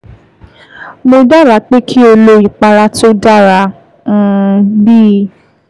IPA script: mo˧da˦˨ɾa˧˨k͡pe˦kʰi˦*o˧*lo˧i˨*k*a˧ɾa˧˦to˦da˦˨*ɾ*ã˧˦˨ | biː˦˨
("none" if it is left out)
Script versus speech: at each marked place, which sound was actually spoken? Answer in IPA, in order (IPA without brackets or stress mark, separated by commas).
o˧, k͡p, ɾ